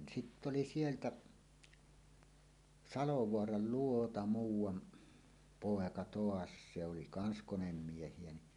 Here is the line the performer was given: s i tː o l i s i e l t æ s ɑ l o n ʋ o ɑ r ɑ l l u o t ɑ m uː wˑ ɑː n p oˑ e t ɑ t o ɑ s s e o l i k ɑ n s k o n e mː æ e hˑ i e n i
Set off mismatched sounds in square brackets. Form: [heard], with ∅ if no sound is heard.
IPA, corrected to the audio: s i tː o l i s i e l t æ s ɑ l o [∅] ʋ o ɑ r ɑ l l u o t ɑ m uː wˑ [ɑ] n p oˑ e [k] ɑ t o ɑ s s e o l i k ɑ n s k o n e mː [i] e hˑ i e n i